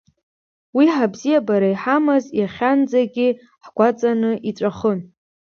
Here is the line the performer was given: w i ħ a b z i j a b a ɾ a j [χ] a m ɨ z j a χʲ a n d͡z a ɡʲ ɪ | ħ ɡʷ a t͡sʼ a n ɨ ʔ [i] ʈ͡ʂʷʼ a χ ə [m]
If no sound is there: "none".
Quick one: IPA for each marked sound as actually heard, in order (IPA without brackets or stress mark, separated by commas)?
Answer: ħ, i, n